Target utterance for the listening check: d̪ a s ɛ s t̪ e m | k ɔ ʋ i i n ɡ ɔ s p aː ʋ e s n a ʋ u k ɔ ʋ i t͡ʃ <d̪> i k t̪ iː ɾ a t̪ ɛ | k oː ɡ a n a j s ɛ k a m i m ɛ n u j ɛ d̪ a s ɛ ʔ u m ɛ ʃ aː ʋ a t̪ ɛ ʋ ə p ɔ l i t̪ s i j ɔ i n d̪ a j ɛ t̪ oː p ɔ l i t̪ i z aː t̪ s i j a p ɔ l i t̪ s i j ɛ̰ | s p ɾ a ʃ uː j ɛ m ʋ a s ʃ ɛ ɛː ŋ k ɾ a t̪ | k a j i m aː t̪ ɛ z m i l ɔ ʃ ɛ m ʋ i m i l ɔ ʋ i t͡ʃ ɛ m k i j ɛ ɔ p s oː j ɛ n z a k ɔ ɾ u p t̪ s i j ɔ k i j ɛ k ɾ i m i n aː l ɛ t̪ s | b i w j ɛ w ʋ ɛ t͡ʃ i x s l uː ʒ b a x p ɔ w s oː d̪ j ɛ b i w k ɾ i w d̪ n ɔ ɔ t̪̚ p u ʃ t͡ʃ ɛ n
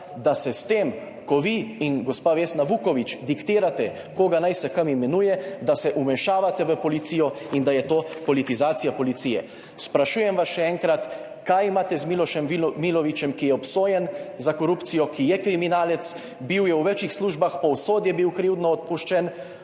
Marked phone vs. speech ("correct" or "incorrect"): correct